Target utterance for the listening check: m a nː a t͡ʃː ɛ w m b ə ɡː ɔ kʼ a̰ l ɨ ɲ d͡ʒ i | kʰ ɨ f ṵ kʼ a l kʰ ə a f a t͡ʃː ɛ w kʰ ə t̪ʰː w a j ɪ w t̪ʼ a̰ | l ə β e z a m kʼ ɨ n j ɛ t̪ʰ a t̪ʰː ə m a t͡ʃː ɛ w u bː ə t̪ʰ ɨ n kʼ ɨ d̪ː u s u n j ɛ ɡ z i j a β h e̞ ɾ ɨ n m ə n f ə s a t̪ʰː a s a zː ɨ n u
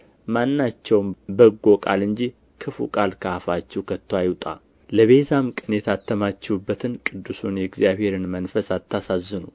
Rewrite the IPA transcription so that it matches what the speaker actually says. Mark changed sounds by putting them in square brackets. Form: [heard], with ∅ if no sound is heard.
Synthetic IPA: m a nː a t͡ʃː ɛ w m b ə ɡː [o] kʼ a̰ l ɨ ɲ d͡ʒ i | kʰ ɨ f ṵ kʼ a l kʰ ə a f a t͡ʃː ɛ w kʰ ə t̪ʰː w a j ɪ w t̪ʼ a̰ | l ə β e z a m kʼ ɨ n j ɛ t̪ʰ a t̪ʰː ə m a t͡ʃː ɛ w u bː ə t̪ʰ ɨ n kʼ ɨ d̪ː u s u n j ɛ ɡ z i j a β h e̞ ɾ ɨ n m ə n f ə s a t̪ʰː a s a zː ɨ n u